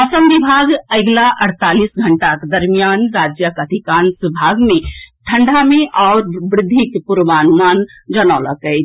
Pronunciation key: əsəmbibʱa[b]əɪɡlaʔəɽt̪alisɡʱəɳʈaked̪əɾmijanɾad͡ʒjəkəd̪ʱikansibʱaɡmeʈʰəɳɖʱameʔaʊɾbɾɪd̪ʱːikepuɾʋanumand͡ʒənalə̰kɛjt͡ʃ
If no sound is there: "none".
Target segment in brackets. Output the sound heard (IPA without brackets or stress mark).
ɡ